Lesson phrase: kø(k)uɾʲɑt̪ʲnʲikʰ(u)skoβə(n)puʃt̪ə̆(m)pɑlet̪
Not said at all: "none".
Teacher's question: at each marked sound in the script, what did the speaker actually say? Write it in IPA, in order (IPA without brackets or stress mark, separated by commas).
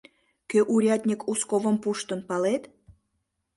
ʔ, u, m, n